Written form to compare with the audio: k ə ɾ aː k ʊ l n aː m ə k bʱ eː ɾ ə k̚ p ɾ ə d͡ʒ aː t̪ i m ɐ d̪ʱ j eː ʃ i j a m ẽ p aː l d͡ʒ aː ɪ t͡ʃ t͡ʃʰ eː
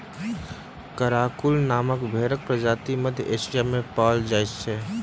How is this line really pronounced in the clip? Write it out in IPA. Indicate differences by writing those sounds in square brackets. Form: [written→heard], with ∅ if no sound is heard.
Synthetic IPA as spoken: k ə ɾ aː k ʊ l n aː m ə k bʱ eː ɾ ə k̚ p ɾ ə d͡ʒ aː t̪ i m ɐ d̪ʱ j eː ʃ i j a m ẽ p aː l d͡ʒ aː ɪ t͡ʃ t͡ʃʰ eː